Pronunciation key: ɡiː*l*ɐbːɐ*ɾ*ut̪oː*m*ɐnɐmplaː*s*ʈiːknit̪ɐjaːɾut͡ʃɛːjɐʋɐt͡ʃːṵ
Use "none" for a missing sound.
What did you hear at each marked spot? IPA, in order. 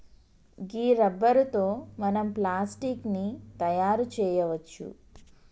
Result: ɾ, ɾ, m, s

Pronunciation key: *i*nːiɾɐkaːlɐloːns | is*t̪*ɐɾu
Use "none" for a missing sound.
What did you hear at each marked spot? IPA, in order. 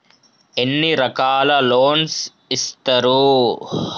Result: e, t̪

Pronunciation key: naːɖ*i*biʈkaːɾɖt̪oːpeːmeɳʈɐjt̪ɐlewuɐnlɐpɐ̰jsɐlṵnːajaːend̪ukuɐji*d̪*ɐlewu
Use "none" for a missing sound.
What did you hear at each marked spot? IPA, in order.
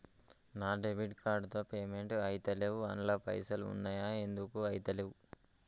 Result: e, t̪

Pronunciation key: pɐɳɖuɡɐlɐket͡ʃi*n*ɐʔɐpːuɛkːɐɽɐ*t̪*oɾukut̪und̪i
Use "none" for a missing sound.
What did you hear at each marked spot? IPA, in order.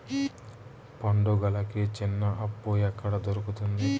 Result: nː, d̪

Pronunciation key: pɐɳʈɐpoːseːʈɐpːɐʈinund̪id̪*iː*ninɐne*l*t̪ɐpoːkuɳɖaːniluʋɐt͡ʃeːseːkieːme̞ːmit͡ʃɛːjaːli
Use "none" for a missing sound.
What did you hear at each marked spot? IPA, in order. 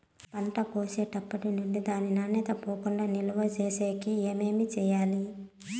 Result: aː, none

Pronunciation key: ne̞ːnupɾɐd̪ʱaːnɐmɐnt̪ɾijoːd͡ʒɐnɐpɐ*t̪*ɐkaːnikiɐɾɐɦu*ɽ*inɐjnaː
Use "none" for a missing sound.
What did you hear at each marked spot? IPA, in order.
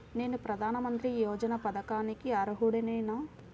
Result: d̪, ɽ

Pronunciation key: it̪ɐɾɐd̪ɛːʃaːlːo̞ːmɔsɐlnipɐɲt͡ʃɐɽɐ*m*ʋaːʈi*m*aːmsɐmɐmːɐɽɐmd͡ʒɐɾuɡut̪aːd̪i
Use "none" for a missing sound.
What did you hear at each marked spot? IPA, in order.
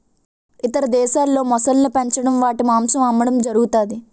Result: m, m

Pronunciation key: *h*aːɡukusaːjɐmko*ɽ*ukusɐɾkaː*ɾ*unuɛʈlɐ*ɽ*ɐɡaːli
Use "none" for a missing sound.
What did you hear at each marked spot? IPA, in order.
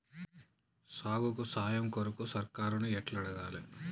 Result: s, ɾ, ɾ, ɽ

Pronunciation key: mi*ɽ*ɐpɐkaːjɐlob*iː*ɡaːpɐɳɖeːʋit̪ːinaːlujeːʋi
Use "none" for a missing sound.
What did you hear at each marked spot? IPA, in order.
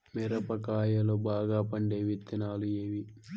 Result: ɾ, aː

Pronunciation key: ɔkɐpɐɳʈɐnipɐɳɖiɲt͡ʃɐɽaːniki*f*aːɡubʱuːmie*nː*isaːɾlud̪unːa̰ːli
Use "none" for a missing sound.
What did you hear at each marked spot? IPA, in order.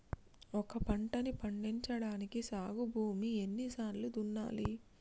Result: s, nː

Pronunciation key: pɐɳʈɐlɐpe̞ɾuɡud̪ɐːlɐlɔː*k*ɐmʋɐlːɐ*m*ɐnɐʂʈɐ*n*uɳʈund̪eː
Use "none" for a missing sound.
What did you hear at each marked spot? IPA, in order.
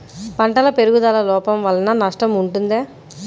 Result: p, n, m

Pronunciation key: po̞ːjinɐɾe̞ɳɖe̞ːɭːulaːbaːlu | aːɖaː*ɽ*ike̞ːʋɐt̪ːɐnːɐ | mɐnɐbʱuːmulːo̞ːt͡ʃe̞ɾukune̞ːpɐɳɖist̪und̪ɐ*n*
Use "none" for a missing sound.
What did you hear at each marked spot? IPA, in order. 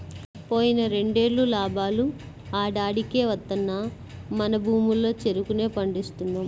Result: ɽ, m

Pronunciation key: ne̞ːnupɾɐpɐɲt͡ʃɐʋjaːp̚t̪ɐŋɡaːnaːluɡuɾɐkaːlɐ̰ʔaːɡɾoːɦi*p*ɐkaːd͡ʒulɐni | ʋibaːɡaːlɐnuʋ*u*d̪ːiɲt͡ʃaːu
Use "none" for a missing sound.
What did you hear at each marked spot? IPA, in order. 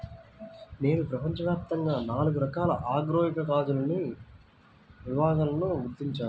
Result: k, u

